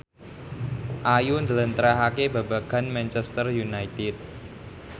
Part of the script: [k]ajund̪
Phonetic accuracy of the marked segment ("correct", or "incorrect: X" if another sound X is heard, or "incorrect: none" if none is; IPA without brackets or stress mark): incorrect: ʔ